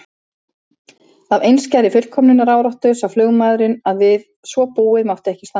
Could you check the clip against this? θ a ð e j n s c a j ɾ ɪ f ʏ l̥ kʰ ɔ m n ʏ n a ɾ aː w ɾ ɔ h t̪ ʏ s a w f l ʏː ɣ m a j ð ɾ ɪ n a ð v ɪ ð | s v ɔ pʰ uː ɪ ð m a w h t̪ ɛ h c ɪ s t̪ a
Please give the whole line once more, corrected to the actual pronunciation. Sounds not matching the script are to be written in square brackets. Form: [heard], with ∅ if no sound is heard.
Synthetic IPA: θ a [v] e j n s c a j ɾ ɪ f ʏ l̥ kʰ ɔ m n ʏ n a ɾ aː w ɾ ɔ h t̪ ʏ s a w f l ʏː ɣ m a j ð ɾ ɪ n a ð v ɪ ð | s v ɔ [p] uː ɪ ð m a w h t̪ ɛ h c ɪ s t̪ a

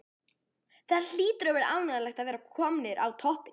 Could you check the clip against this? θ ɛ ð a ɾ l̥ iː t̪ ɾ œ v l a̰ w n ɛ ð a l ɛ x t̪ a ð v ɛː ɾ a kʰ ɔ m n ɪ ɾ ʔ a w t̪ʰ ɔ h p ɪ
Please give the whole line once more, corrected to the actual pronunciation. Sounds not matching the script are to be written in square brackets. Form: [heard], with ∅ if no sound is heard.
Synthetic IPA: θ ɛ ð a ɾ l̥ iː t̪ ɾ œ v [ɾ] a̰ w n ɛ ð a l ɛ x t̪ a ð v ɛː ɾ a kʰ ɔ m n ɪ ɾ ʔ a w t̪ʰ ɔ h p ɪ

